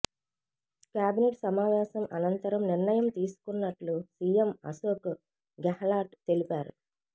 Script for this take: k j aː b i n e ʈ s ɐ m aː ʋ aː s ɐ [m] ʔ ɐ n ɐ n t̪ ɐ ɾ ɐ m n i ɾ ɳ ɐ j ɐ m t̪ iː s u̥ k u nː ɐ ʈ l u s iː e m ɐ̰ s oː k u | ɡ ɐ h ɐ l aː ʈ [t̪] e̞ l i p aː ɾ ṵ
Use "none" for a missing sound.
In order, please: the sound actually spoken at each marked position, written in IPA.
m, t̪

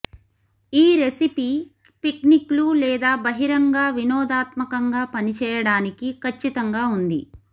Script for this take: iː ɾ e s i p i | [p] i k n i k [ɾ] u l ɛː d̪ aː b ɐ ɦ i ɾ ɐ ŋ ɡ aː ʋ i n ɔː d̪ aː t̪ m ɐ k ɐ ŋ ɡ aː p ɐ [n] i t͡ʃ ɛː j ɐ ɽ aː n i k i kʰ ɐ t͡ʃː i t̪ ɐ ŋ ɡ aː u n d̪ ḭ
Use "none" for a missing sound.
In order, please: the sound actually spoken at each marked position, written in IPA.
p, l, n

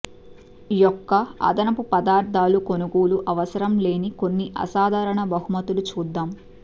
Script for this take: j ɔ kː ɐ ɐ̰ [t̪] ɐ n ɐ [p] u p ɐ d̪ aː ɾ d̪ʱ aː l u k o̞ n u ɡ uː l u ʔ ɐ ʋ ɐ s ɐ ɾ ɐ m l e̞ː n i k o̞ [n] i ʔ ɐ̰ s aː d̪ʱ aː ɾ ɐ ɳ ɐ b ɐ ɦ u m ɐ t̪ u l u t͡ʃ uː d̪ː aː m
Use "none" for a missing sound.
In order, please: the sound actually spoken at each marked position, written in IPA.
d̪, p, nː

